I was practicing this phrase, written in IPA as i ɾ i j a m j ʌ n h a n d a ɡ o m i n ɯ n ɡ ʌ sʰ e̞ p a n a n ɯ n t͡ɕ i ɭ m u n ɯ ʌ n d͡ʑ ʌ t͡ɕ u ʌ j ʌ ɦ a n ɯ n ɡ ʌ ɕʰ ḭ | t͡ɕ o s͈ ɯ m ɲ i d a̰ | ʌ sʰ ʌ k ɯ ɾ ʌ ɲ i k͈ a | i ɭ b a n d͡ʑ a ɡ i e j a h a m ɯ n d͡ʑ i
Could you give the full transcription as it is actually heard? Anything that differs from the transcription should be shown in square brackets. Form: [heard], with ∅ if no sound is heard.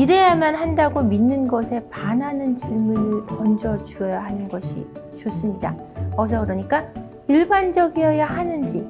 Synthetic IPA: i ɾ [e] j a m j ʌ n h a n d a ɡ o m i [nː] ɯ n ɡ ʌ sʰ e̞ p a n a n ɯ n t͡ɕ i ɭ m u n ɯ ʌ n d͡ʑ ʌ t͡ɕ u ʌ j [a] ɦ a n ɯ n ɡ ʌ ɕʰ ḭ | t͡ɕ o s͈ ɯ m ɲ i d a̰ | ʌ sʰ ʌ k ɯ ɾ ʌ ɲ i k͈ a | i ɭ b a n d͡ʑ [ʌ] ɡ i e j a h a [n] ɯ n d͡ʑ i